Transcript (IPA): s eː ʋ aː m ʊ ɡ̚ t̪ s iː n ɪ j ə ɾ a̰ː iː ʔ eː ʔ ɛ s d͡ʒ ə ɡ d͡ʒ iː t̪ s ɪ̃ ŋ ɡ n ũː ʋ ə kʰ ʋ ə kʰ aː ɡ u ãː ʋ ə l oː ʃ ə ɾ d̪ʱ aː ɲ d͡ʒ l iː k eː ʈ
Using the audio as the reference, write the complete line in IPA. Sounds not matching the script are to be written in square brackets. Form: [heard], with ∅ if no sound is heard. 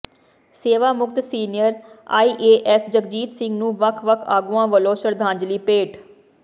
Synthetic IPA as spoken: s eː ʋ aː m ʊ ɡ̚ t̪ s iː n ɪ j ə ɾ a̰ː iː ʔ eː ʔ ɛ s d͡ʒ ə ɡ d͡ʒ iː t̪ s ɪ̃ ŋ ɡ n ũː ʋ ə kʰ ʋ ə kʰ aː ɡ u ãː ʋ ə l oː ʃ ə ɾ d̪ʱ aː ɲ d͡ʒ l iː [p] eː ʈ

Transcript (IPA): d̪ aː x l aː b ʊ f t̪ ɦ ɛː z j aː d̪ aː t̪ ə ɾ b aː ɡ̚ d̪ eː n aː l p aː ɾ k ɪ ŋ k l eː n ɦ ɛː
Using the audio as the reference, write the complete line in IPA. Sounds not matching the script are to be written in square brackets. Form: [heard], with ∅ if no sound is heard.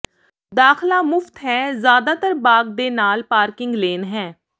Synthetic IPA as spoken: d̪ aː x l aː [m] ʊ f t̪ ɦ ɛː z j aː d̪ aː t̪ ə ɾ b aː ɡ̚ d̪ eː n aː l p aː ɾ k ɪ ŋ [ɡ] l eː n ɦ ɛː

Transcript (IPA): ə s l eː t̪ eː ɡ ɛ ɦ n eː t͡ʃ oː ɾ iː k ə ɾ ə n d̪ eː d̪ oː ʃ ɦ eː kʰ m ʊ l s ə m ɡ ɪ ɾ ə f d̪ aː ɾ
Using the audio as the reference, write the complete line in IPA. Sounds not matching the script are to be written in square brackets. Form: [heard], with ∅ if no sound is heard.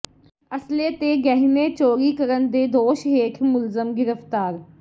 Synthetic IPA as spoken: ə s l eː t̪ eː ɡ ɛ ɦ n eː t͡ʃ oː ɾ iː k ə ɾ ə n d̪ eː d̪ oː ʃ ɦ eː kʰ m ʊ l [z] ə m ɡ ɪ ɾ ə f [t̪] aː ɾ

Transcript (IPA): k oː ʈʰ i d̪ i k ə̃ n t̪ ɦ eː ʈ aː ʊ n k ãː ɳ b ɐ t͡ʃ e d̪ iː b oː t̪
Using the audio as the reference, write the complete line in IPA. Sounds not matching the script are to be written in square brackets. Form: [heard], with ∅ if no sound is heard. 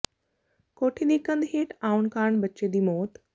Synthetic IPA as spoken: k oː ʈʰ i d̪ i k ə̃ n [d̪] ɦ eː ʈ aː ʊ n k [aː] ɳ b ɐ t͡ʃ e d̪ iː [m] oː t̪

